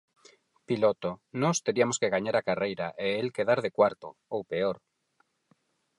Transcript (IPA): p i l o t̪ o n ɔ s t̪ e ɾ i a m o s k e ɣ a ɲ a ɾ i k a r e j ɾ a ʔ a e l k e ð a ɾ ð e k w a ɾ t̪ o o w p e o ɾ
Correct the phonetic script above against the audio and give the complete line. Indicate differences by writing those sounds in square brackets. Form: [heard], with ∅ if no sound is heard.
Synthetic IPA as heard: p i l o t̪ o n ɔ s t̪ e ɾ i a m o s k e ɣ a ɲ a ɾ [a] k a r e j ɾ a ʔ [e] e l k e ð a ɾ ð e k w a ɾ t̪ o o w p e o ɾ